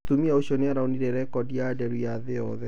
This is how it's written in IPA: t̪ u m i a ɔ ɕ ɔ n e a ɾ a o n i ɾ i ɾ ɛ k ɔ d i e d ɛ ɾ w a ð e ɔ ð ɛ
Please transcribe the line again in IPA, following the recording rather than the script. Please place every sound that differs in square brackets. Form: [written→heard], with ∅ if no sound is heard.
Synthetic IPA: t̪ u m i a [ɔ→o] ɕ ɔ n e a ɾ a o n i ɾ [i→ɛ] ɾ ɛ k ɔ d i [e→a] d ɛ ɾ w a ð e ɔ ð ɛ

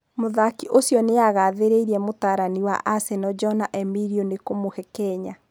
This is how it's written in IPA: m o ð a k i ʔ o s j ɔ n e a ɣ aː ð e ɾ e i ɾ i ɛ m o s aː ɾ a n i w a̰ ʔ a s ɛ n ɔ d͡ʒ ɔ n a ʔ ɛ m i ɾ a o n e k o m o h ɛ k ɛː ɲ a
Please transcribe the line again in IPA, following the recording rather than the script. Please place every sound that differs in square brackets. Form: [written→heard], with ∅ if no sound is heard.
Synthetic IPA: m o ð a k i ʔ o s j ɔ n e a ɣ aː ð e ɾ e i ɾ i ɛ m o [s→t] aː ɾ a n i w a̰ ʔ a s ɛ n ɔ d͡ʒ ɔ n a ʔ ɛ m i ɾ [a→i] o n e k o m o h ɛ k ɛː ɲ a

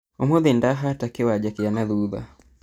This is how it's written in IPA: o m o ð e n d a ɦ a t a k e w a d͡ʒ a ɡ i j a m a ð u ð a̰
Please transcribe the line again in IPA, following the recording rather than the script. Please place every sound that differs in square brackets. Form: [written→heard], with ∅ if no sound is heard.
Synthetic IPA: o m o ð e n d a ɦ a t a k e w a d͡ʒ a [ɡ→k] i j a [m→n] a ð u ð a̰

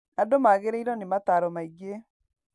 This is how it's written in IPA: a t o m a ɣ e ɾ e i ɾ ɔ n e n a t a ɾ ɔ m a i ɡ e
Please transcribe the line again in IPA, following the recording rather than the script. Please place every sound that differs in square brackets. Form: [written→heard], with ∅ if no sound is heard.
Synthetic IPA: a [t→d] o m a ɣ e ɾ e i ɾ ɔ n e [n→m] a t a ɾ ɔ m a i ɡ e

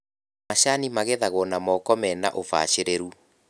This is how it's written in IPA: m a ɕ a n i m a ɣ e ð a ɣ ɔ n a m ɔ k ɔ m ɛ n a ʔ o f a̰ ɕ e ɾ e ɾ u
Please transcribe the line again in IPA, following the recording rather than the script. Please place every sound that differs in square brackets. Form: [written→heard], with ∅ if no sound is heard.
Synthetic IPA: m a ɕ a n i m a ɣ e ð a ɣ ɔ n a m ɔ k ɔ m ɛ n a ʔ o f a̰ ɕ e ɾ e ɾ u

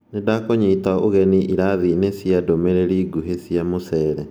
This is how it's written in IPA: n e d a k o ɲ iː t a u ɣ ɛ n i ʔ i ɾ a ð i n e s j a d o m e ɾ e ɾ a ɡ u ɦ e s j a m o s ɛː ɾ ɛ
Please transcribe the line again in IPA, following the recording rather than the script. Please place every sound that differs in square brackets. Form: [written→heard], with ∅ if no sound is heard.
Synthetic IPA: n e d a k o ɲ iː t a [u→o] ɣ ɛ n i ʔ i ɾ a ð i n e s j a d o m e ɾ e ɾ [a→i] ɡ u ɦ e s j a m o s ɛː ɾ ɛ

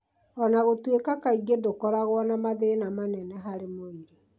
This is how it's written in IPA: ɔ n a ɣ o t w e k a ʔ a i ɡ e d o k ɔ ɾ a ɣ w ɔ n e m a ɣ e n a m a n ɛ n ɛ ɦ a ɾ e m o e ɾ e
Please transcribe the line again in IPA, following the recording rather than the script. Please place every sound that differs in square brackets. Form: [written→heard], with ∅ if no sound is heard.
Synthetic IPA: ɔ n a ɣ o t w e k a [ʔ→k] a i ɡ e d o k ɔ ɾ a ɣ w ɔ n [e→a] m a [ɣ→ð] e n a m a n ɛ n ɛ ɦ a ɾ e m o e ɾ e

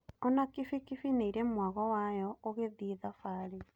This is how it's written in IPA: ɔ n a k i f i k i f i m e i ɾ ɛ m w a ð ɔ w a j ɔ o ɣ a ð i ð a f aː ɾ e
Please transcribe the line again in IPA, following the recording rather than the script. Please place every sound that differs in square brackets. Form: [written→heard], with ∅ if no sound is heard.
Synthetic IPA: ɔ n a k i f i k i f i [m→n] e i ɾ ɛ m w a [ð→ɣ] ɔ w a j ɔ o ɣ [a→e] ð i ð a f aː ɾ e

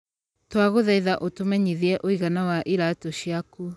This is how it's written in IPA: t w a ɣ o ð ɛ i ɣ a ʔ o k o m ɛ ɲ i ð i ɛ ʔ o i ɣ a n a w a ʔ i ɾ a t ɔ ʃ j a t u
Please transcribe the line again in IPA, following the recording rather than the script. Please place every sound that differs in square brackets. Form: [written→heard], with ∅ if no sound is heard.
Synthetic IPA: t w a ɣ o ð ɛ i [ɣ→ð] a ʔ o [k→t] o m ɛ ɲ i ð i ɛ ʔ o i ɣ a n a w a ʔ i ɾ a t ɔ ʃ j a [t→k] u

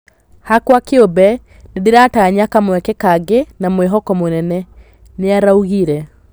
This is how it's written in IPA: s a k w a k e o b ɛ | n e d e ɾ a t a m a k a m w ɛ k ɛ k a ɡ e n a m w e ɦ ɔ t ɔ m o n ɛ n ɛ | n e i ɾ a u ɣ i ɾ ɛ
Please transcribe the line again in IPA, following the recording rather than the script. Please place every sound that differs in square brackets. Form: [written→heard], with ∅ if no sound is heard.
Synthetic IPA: [s→h] a k w a k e o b ɛ | n e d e ɾ a t a [m→ɲ] a k a m w ɛ k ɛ k a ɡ e n a m w e ɦ ɔ [t→k] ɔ m o n ɛ n ɛ | n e [i→a] ɾ a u ɣ i ɾ ɛ

